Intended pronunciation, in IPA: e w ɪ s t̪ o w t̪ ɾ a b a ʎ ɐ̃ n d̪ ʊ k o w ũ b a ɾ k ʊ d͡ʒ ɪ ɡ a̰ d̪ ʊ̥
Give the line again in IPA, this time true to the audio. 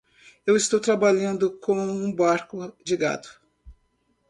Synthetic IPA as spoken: e w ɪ s t̪ o w t̪ ɾ a b a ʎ ɐ̃ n d̪ ʊ k õ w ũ b a ɾ k ʊ d͡ʒ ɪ ɡ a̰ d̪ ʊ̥